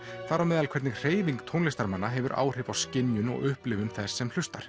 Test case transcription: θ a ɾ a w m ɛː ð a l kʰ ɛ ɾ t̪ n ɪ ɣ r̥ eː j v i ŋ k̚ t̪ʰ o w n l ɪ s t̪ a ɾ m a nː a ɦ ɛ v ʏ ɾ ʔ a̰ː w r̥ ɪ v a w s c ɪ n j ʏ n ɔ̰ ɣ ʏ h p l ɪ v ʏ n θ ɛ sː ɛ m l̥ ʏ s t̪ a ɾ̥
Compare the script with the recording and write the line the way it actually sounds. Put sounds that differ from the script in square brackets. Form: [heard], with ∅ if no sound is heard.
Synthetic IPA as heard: θ a ɾ a w m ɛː ð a l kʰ ɛ ɾ t̪ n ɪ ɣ r̥ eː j v i ŋ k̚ t̪ʰ o w n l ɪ s t̪ a ɾ m a nː a ɦ ɛ v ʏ ɾ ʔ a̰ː w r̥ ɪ v a w s c ɪ n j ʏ n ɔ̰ ɣ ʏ h p l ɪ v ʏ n θ ɛ sː ɛ m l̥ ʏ s t̪ a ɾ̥